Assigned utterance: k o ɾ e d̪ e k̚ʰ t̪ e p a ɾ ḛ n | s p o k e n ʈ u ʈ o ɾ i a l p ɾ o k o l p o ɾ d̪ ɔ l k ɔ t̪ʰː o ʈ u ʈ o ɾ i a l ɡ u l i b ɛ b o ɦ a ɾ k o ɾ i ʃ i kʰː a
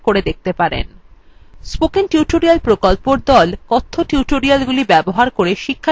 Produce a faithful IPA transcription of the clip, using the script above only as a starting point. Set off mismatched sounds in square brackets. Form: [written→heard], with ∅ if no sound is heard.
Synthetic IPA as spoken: k o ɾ e d̪ e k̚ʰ t̪ e p a ɾ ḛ n | s p o k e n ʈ u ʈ o ɾ i a l p ɾ o k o l p o ɾ d̪ ɔ l k ɔ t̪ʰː o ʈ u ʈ o ɾ i a l ɡ u l i b ɛ b o ɦ a ɾ k o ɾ [i→e] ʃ i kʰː a